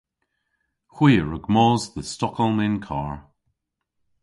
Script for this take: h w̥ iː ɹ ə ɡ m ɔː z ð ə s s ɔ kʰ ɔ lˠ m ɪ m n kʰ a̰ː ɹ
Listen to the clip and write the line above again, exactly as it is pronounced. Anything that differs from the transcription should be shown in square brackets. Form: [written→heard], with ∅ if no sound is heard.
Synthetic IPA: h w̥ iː ɹ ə ɡ m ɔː z ð ə s [s→t] ɔ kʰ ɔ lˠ m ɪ [m→∅] n kʰ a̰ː ɹ